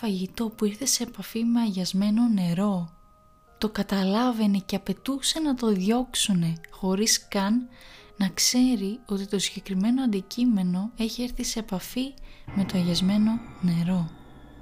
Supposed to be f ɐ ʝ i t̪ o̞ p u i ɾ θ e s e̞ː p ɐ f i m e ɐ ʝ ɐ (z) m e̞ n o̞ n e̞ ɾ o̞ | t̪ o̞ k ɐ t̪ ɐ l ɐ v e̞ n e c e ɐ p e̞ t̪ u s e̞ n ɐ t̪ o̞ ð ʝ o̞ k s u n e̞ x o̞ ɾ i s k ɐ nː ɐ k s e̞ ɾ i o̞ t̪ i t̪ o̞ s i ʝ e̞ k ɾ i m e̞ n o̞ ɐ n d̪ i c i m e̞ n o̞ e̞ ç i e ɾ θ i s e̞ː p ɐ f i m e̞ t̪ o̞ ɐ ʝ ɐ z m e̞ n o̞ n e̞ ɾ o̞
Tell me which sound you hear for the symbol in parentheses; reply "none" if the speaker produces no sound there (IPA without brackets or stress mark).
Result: z